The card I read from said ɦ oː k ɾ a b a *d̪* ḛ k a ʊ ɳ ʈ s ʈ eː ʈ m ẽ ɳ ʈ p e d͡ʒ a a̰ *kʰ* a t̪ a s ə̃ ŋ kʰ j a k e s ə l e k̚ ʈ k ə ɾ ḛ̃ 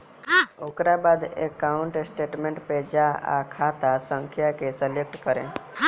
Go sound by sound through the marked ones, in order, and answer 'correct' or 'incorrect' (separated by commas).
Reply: correct, correct